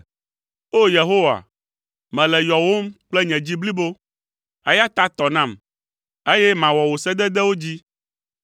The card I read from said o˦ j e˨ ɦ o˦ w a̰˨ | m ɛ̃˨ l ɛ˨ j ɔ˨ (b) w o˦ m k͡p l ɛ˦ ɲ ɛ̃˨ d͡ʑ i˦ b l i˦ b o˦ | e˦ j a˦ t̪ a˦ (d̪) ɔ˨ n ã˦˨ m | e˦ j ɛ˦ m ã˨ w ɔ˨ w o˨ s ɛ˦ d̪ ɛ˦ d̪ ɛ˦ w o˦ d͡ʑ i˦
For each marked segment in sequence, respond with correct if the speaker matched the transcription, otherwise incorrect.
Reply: incorrect: none, incorrect: t̪

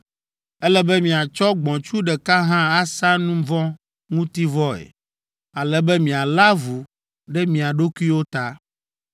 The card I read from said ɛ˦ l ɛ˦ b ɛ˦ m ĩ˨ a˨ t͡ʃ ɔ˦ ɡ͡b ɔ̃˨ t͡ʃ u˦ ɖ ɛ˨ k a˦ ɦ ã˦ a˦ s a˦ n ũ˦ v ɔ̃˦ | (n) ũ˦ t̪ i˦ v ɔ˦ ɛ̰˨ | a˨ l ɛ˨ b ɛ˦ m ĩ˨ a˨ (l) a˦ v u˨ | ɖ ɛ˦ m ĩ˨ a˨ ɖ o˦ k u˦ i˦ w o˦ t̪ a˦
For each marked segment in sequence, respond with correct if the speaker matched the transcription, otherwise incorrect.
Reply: incorrect: ŋ, correct

